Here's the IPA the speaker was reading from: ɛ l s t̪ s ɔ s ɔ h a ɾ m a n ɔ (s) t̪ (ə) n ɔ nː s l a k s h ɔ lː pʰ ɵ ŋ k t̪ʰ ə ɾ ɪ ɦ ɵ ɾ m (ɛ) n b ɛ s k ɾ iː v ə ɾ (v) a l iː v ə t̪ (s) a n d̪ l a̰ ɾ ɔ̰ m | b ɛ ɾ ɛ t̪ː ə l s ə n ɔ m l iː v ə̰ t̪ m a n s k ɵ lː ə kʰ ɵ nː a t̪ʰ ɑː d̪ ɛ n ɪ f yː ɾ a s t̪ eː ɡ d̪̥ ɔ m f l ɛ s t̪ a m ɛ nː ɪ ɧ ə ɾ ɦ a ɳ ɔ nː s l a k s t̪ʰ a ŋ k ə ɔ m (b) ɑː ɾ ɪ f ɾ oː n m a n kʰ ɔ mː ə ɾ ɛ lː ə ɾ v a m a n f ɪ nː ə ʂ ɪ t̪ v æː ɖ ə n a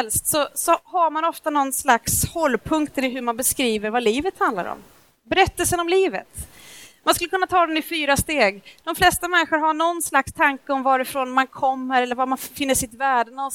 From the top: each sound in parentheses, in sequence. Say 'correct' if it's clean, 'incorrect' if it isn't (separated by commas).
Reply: incorrect, incorrect, incorrect, correct, incorrect, incorrect